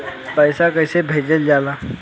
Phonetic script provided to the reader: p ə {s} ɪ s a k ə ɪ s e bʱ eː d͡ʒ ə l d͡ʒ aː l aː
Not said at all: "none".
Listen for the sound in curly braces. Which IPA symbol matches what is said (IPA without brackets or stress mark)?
none